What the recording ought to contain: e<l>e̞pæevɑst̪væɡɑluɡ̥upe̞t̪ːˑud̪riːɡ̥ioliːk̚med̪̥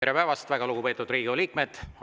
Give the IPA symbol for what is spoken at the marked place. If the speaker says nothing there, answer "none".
ɾ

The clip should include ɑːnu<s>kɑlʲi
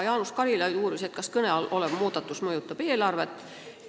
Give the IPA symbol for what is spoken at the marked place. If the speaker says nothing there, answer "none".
s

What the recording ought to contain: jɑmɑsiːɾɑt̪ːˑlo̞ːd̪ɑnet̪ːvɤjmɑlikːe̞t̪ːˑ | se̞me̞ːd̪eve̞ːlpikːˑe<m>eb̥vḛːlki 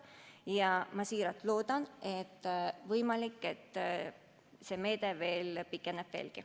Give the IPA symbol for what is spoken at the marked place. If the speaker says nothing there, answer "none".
n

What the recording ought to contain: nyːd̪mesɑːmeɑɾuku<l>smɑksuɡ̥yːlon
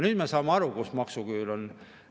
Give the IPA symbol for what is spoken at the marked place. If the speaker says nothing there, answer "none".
none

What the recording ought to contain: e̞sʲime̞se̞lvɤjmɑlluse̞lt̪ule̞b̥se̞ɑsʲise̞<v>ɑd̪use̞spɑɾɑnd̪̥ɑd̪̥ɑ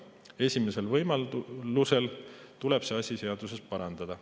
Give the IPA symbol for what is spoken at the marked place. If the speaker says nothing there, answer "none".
none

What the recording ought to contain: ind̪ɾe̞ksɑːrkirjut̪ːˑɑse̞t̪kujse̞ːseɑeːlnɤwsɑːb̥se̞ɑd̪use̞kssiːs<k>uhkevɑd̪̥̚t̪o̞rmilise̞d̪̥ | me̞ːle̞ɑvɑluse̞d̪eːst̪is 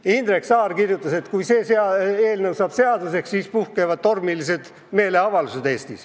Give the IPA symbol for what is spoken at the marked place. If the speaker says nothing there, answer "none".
p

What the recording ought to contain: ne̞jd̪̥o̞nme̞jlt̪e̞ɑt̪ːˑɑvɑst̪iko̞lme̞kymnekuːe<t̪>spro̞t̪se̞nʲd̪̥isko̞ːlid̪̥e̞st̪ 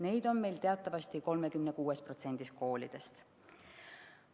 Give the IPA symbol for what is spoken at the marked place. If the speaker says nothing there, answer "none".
none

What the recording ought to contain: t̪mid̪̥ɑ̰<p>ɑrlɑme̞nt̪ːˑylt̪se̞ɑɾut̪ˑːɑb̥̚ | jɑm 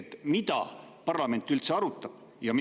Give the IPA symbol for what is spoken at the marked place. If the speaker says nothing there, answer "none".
p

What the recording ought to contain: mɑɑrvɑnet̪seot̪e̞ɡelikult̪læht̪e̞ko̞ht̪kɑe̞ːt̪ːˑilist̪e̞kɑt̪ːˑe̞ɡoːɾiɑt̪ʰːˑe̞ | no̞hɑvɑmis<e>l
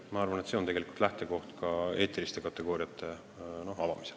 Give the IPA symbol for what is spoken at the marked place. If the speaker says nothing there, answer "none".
e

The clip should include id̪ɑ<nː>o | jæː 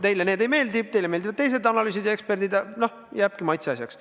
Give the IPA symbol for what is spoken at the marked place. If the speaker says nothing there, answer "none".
n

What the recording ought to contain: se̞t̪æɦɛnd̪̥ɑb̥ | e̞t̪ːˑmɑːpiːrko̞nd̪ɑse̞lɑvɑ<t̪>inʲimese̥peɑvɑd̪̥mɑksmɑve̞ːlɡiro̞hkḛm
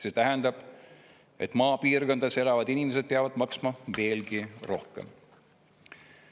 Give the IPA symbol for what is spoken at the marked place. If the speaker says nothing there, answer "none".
d̪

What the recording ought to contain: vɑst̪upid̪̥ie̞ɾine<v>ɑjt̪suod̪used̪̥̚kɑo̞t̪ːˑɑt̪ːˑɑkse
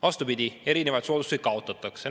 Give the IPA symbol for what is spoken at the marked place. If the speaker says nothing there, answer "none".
v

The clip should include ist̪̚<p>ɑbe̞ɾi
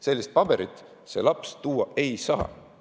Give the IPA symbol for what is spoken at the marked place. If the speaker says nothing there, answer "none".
p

